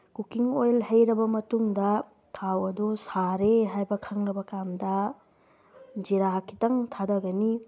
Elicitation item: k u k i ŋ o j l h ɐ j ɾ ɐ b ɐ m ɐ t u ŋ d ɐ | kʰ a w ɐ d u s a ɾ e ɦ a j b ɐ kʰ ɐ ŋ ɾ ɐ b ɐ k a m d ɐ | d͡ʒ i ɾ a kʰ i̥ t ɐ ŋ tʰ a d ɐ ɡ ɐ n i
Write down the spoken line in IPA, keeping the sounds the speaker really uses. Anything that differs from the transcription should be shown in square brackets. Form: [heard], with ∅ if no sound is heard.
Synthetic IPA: k u k i ŋ o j l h ɐ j ɾ ɐ b ɐ m ɐ t u ŋ d ɐ | [tʰ] a w ɐ d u s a ɾ e ɦ a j b ɐ kʰ ɐ ŋ ɾ ɐ b ɐ k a m d ɐ | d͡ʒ i ɾ a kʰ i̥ t ɐ ŋ tʰ a d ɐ ɡ ɐ n i